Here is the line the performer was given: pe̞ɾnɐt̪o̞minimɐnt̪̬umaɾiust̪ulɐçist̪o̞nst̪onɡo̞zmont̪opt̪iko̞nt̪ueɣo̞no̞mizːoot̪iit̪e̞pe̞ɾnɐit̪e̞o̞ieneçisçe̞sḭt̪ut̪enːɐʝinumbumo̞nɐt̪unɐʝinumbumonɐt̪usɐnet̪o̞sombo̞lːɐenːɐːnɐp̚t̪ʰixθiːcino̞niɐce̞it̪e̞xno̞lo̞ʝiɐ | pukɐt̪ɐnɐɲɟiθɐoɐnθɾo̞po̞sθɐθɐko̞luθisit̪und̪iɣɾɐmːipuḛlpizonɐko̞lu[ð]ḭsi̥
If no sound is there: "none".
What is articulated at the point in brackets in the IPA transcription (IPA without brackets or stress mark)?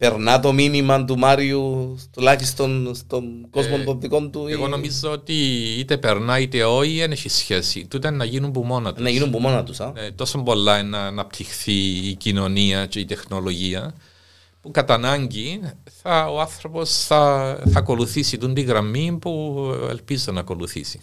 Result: θ